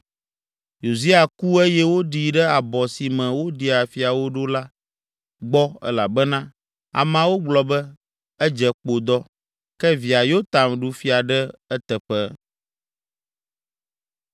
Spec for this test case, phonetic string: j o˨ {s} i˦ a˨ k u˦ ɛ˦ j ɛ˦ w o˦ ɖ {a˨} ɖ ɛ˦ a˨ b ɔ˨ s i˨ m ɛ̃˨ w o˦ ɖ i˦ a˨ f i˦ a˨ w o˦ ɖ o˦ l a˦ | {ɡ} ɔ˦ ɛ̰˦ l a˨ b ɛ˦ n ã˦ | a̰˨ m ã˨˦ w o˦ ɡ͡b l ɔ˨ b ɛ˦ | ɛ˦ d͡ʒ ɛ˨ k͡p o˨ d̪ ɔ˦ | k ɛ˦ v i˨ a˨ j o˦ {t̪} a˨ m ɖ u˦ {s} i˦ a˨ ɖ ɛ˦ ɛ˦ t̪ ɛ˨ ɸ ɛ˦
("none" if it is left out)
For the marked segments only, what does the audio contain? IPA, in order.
z, i˨, ɡ͡b, t̪, f

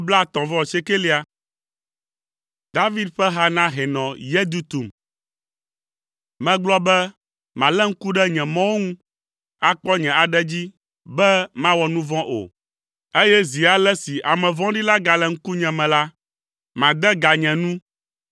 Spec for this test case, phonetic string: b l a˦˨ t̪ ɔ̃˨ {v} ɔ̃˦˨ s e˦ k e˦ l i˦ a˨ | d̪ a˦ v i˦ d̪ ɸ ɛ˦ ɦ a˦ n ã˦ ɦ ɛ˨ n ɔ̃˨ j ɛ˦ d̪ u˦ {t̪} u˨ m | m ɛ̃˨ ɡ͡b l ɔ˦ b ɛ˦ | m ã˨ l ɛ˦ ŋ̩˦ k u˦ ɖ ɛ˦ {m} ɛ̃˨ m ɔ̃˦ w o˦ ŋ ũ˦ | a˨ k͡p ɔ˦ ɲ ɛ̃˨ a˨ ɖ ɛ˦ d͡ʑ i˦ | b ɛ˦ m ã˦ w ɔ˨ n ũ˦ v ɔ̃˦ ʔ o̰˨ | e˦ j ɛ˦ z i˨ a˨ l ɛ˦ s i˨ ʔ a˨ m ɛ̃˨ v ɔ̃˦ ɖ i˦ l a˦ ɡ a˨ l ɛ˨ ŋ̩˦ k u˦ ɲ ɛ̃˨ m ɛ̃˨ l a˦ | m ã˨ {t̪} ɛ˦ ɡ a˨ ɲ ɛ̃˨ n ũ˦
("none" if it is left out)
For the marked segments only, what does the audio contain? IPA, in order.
v, t̪, ɲ, d̪

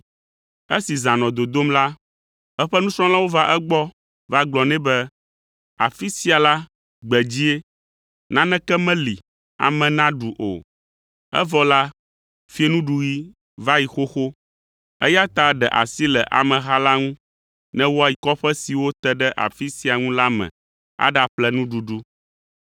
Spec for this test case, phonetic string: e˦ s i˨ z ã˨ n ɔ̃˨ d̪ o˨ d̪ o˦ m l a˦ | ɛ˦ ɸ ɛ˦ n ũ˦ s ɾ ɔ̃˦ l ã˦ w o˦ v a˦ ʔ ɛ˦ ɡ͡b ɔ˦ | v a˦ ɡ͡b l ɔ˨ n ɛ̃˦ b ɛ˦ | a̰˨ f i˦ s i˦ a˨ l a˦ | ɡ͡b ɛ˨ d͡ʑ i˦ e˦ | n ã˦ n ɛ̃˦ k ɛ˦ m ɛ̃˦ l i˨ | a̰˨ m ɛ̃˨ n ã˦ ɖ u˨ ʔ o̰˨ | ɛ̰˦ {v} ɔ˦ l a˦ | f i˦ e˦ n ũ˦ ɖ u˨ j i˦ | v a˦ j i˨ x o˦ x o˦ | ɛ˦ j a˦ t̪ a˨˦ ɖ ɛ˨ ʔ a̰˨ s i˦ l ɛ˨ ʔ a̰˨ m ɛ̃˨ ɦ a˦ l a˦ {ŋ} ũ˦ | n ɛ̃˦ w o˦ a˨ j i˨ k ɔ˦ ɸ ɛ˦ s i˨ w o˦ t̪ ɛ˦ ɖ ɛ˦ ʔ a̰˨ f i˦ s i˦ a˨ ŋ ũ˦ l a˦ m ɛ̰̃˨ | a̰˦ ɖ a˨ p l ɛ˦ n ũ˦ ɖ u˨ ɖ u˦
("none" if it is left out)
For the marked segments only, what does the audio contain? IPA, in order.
v, ŋ

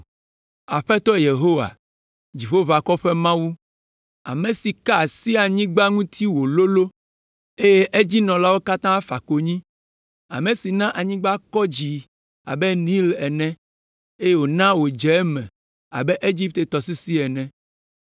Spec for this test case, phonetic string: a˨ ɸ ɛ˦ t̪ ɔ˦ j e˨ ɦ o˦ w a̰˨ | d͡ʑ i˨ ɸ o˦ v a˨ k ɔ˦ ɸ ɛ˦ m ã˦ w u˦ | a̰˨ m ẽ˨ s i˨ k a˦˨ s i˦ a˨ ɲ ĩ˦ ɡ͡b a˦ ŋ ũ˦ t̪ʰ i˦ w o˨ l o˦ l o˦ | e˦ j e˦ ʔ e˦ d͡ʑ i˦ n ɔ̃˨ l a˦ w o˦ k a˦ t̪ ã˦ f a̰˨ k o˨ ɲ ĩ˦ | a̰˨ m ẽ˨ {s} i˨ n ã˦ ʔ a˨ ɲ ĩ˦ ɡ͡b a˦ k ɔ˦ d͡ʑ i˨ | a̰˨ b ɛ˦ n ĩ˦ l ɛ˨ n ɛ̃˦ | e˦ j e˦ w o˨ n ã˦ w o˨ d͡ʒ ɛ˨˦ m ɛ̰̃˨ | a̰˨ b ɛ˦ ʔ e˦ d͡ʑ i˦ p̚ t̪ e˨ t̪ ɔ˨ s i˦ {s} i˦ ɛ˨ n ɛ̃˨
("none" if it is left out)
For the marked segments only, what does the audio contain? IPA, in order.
s, s

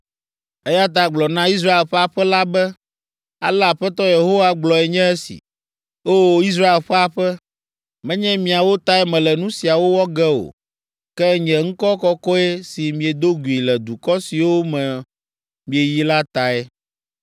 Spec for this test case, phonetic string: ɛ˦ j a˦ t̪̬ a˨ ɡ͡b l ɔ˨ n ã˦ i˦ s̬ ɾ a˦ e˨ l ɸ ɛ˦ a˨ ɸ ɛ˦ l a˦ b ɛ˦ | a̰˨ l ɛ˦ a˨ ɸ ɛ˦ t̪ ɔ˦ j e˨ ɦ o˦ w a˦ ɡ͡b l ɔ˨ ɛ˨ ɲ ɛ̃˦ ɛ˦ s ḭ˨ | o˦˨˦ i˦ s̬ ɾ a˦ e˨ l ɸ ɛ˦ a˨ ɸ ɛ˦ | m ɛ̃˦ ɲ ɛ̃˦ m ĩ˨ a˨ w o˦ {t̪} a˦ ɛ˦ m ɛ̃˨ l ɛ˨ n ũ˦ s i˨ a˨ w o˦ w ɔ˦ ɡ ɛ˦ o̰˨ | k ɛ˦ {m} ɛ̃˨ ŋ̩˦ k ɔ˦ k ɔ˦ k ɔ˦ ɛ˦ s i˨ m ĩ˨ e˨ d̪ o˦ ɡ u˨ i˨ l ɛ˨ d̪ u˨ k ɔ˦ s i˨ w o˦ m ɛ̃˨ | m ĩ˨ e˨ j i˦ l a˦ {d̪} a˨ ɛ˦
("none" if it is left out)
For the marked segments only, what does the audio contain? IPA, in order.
t̪, ɲ, t̪

